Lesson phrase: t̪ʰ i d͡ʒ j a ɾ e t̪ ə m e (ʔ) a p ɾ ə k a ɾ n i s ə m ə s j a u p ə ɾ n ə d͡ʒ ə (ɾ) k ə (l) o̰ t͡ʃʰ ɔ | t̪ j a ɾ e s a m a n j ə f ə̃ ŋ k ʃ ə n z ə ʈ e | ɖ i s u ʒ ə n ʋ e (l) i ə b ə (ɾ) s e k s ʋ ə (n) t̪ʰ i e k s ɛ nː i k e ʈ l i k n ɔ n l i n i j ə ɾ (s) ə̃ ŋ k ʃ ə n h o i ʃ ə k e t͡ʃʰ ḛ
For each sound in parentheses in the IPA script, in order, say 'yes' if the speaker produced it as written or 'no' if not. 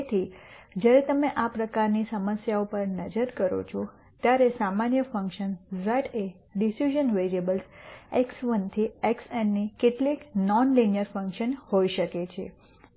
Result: yes, yes, no, no, no, yes, no

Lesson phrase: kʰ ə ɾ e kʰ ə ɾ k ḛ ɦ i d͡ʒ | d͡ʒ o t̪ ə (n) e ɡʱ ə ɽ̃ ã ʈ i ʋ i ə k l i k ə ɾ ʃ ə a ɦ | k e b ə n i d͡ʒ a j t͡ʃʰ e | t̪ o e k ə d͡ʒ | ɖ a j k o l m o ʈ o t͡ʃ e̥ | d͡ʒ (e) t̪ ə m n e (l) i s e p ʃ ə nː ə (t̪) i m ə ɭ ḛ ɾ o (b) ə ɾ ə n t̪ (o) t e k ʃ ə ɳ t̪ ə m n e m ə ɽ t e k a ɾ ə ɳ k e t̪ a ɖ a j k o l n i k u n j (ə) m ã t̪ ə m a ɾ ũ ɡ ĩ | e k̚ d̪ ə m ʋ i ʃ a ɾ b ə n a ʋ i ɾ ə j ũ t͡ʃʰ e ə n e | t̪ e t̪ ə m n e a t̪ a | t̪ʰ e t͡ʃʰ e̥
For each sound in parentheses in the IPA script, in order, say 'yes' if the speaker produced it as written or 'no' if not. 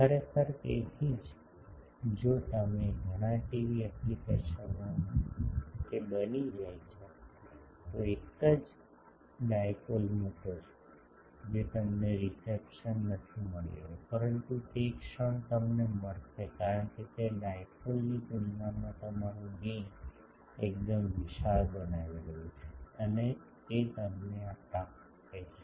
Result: no, yes, no, no, no, no, no

